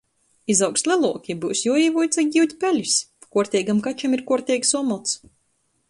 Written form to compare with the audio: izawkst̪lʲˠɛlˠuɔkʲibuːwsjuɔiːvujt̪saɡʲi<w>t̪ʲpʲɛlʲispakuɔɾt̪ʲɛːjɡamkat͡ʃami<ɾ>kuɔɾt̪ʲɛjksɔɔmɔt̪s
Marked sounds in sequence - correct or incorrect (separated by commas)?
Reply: correct, correct